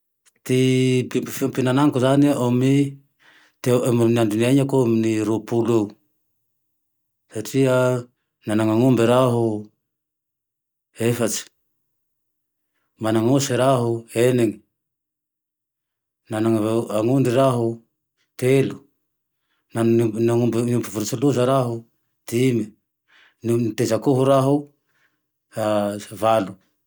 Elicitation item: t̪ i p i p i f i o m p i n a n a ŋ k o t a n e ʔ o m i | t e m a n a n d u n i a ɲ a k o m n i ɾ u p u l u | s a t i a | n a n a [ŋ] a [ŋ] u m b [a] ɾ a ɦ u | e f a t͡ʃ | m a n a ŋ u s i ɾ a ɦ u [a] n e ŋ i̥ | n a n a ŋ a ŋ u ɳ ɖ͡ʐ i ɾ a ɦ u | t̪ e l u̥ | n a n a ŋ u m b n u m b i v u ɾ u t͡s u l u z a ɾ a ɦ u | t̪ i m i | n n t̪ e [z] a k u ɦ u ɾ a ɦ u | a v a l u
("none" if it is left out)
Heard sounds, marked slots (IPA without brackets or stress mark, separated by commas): ŋ, ŋ, e, e, z